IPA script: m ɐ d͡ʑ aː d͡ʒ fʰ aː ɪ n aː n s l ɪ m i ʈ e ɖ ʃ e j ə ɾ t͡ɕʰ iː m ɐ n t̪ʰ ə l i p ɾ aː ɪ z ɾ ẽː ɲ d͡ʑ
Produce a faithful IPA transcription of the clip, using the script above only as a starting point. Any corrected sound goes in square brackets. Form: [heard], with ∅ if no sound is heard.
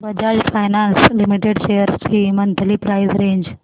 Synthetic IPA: [b] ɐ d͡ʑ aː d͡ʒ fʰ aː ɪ n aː n s l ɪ m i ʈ e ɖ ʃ e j ə ɾ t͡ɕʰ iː m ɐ n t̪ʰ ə l i p ɾ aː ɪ z ɾ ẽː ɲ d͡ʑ

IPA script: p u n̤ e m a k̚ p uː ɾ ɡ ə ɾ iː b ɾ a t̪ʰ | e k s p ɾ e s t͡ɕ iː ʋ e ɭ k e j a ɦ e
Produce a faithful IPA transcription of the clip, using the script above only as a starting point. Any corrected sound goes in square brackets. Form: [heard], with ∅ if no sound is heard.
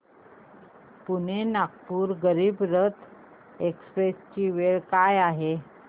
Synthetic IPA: p u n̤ e [n] a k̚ p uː ɾ ɡ ə ɾ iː b ɾ [ə] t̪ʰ | e k s p ɾ e s t͡ɕ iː ʋ e ɭ k [a] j a ɦ e

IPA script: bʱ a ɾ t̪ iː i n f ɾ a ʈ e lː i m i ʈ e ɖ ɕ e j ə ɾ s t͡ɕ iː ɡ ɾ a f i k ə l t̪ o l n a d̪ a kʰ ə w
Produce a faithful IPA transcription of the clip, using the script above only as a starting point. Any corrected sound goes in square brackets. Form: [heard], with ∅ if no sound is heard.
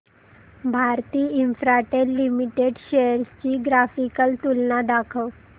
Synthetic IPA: bʱ a ɾ t̪ iː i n f ɾ a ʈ e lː i m i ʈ e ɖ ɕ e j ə ɾ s t͡ɕ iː ɡ ɾ a f i k ə l t̪ [u] l n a d̪ a kʰ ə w

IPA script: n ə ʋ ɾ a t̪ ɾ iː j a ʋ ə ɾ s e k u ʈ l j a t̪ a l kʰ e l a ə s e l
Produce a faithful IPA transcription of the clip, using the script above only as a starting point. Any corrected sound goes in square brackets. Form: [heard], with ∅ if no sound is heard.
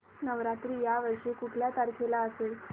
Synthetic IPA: n ə ʋ ɾ a t̪ ɾ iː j a ʋ ə ɾ [ʂ] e k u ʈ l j a t̪ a [ɾ] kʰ e l a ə s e l

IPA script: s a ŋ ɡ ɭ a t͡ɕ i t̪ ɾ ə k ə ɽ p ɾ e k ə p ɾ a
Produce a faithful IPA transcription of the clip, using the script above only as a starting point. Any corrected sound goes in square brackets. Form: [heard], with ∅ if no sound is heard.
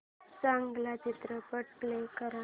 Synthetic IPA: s a ŋ ɡ [l] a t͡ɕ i t̪ ɾ ə [p] ə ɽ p [l] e k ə [∅] ɾ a

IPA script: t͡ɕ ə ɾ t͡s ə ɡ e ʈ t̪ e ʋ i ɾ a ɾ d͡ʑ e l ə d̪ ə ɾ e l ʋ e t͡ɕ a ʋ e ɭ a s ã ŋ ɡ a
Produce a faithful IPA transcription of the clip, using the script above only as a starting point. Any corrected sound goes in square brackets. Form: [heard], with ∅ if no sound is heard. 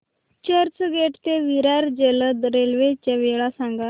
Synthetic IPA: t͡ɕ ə ɾ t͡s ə ɡ e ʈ t̪ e ʋ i ɾ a ɾ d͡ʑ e l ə d̪ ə ɾ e l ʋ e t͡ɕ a ʋ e ɭ a s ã ŋ ɡ a

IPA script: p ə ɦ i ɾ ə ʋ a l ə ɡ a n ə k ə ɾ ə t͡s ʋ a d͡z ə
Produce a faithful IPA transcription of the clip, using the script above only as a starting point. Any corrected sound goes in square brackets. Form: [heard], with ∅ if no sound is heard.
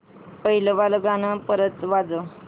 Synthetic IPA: p ə ɦ i [l] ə ʋ a l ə ɡ a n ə [p] ə ɾ ə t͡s ʋ a d͡z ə

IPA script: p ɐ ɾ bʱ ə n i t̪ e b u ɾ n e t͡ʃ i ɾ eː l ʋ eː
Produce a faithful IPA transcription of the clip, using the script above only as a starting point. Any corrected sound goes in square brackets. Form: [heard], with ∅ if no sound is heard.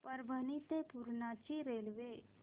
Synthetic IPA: p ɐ ɾ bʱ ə n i t̪ e [p] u ɾ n [a] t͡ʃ i ɾ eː l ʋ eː

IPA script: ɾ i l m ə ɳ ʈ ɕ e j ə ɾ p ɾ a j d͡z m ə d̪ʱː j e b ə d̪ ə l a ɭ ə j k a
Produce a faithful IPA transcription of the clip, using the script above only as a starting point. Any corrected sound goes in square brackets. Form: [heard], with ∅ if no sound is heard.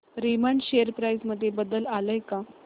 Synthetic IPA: ɾ i [∅] m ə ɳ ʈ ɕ e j ə ɾ p ɾ a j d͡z m ə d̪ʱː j e b ə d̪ ə l a [l] ə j k a

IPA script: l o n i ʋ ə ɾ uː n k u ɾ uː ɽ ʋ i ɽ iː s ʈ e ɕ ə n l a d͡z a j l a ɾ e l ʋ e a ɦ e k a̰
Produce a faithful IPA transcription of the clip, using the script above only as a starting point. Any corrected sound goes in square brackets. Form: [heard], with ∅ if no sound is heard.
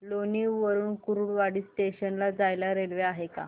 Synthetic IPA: l o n i ʋ ə ɾ uː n k u ɾ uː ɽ ʋ [a] ɽ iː s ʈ e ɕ ə n l a d͡z a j l a ɾ e l ʋ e a ɦ e k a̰

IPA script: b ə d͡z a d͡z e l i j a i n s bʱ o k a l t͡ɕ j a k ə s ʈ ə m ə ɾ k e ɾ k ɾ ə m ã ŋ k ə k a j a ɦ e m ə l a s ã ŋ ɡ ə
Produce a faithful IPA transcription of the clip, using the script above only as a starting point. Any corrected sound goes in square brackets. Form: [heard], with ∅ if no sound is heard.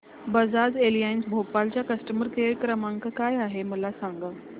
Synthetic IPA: b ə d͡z a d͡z e l i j a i n s bʱ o [p] a l t͡ɕ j a k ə s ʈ ə m ə ɾ k e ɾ k ɾ ə m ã ŋ k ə k a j a ɦ e m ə l a s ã ŋ ɡ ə

